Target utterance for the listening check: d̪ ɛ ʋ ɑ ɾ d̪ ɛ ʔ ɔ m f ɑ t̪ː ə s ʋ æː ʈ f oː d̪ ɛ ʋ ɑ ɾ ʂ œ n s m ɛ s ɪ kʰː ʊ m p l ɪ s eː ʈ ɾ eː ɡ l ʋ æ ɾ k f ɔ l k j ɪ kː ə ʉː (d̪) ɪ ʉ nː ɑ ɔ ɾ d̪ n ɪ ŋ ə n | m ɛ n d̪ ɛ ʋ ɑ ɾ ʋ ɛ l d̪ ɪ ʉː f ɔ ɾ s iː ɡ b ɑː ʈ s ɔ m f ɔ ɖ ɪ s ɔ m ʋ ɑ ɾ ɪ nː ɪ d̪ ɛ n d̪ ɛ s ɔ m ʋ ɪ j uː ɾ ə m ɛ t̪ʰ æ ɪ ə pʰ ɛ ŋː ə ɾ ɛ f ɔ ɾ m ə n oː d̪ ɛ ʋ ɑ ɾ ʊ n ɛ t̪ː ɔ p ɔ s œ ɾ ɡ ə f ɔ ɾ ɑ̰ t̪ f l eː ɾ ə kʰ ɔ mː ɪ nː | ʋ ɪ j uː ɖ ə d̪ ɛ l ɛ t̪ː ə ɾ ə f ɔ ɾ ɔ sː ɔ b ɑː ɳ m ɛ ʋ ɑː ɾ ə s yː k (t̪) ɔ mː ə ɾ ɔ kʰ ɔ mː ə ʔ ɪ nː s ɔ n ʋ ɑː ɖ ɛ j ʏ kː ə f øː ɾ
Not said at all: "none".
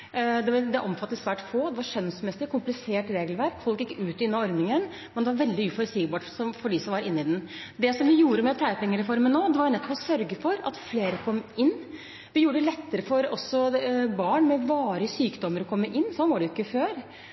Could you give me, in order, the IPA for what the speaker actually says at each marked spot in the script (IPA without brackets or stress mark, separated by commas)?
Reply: t̪, d̪